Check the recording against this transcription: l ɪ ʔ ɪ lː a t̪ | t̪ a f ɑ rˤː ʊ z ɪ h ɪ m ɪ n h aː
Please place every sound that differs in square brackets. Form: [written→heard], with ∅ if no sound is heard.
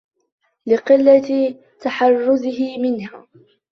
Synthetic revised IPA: l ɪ [ʔ→q] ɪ lː a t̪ | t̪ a [f→ħ] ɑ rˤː ʊ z ɪ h ɪ m ɪ n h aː